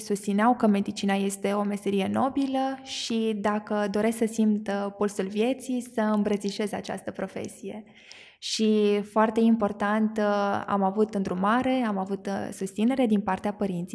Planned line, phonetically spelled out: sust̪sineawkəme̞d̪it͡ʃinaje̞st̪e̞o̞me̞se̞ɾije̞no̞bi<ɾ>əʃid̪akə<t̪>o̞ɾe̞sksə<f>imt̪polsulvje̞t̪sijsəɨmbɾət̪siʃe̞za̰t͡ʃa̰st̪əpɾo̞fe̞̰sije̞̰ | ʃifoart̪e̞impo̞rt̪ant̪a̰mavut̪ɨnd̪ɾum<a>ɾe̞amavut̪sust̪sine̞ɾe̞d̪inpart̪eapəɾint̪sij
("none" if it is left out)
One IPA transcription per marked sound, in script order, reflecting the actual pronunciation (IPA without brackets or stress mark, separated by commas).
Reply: l, d̪, s, a